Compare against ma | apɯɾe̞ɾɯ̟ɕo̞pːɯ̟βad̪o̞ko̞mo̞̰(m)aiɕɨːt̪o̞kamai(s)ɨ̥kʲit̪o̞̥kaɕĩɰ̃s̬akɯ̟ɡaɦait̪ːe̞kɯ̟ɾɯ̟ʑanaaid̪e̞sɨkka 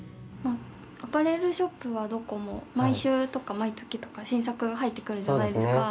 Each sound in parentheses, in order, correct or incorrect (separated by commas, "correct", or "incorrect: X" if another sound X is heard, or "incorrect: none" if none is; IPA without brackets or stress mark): correct, incorrect: t͡s